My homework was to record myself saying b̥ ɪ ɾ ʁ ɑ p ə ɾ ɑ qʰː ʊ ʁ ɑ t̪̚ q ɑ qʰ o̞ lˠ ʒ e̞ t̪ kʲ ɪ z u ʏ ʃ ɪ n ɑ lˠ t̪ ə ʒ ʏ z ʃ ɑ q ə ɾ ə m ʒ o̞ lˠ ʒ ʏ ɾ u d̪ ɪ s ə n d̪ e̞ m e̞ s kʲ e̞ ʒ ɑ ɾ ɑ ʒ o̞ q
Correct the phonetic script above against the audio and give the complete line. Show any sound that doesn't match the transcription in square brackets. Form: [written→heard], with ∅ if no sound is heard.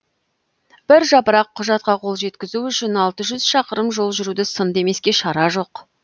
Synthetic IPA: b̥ ɪ ɾ [ʁ→ʒ] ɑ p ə ɾ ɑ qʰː ʊ [ʁ→ʒ] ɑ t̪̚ q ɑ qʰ o̞ lˠ ʒ e̞ t̪ kʲ ɪ z u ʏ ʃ ɪ n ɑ lˠ t̪ ə ʒ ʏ z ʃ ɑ q ə ɾ ə m ʒ o̞ lˠ ʒ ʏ ɾ u d̪ ɪ s ə n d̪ e̞ m e̞ s kʲ e̞ [ʒ→ʃ] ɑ ɾ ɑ ʒ o̞ q

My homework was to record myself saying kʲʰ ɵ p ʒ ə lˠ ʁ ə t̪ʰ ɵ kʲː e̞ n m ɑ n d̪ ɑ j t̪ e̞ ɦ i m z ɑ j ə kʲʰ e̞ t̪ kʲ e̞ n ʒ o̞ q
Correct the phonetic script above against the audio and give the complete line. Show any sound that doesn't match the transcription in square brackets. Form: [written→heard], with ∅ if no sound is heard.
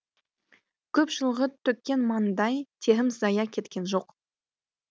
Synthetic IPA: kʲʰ ɵ p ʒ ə lˠ ʁ ə t̪ʰ ɵ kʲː e̞ n m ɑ n d̪ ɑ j [t̪→t̪ʰ] e̞ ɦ [i→ɪ] m z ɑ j [ə→ɑ] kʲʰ e̞ t̪ kʲ e̞ n ʒ o̞ q

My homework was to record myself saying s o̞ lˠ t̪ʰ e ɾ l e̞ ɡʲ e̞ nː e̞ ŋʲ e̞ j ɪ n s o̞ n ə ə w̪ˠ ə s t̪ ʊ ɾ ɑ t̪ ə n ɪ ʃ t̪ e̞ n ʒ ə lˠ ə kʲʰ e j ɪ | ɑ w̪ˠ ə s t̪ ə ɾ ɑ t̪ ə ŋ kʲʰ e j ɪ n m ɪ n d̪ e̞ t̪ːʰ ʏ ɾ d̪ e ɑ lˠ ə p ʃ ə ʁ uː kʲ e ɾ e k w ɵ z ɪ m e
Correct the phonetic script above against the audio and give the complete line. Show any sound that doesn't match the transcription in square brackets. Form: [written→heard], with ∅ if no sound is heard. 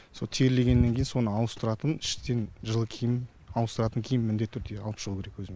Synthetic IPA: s o̞ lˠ t̪ʰ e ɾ l e̞ ɡʲ e̞ nː e̞ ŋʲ e̞ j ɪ n s o̞ n ə [ə→ɑ] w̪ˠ ə s t̪ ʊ ɾ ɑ t̪ ə n ɪ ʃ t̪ e̞ n ʒ ə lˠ ə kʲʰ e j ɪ | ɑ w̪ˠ ə s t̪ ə ɾ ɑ t̪ ə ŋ kʲʰ e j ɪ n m ɪ n d̪ e̞ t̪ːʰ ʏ ɾ d̪ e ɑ lˠ ə p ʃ ə ʁ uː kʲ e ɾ e k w ɵ z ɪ m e

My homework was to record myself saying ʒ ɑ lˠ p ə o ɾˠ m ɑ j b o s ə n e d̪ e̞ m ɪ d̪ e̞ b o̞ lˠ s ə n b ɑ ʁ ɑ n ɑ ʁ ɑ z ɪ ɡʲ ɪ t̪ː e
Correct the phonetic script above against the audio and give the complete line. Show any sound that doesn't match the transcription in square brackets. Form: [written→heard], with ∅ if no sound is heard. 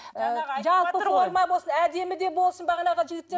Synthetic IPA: ʒ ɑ lˠ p ə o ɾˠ m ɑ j b o s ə n [e→æ] d̪ e̞ m ɪ d̪ e̞ b o̞ lˠ s ə n b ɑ ʁ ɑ n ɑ ʁ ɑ [z→ʒ] ɪ ɡʲ ɪ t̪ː e

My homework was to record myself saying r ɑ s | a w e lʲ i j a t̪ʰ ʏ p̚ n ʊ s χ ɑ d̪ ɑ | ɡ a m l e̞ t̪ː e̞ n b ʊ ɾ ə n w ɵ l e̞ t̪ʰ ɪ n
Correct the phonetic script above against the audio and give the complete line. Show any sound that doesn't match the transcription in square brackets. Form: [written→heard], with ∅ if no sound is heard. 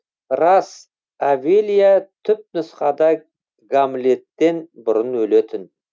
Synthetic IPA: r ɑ s | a [w→v] e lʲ i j a t̪ʰ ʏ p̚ n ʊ s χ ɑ d̪ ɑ | ɡ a m l e̞ t̪ː e̞ n b ʊ ɾ ə n w ɵ l e̞ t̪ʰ ɪ n

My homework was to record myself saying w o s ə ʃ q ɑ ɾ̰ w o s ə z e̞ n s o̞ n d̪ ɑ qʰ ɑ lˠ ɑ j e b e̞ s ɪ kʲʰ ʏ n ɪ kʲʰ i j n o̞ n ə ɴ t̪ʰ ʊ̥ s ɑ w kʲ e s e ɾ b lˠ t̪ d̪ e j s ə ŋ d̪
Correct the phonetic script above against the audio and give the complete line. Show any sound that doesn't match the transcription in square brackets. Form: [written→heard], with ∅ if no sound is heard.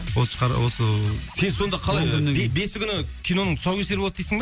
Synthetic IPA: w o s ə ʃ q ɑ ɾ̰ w o s ə [z→s] e̞ n s o̞ n d̪ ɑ qʰ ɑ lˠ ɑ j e b e̞ s ɪ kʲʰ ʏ n ɪ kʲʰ i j n o̞ n ə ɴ t̪ʰ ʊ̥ s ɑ w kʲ e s e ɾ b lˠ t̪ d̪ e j s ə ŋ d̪

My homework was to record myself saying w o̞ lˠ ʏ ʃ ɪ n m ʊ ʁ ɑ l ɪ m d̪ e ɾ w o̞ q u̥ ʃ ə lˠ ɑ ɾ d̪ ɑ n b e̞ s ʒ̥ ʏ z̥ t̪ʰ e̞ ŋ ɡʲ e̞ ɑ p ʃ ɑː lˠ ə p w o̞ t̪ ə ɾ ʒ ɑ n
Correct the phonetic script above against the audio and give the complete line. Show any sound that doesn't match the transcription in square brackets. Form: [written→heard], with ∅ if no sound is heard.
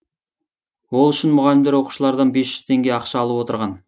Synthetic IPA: w o̞ lˠ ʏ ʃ ɪ n m ʊ ʁ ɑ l ɪ m d̪ e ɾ w o̞ q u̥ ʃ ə lˠ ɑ ɾ d̪ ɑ n b e̞ s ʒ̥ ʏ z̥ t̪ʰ e̞ ŋ ɡʲ e̞ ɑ [p→q] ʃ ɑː lˠ ə p w o̞ t̪ ə ɾ [ʒ→ʁ] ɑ n

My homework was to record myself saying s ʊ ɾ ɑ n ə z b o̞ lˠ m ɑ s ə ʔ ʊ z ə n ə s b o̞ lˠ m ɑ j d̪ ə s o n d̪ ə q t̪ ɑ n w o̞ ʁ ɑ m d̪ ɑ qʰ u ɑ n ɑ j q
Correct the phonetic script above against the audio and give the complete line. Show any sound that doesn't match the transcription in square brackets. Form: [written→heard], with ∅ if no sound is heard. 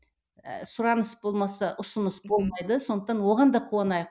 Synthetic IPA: s ʊ ɾ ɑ n ə [z→s] b o̞ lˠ m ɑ s [ə→ɑ] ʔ ʊ [z→s] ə n ə s b o̞ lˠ m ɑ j d̪ ə s o n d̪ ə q t̪ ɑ n w o̞ ʁ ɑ [m→n] d̪ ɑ qʰ u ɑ n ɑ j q

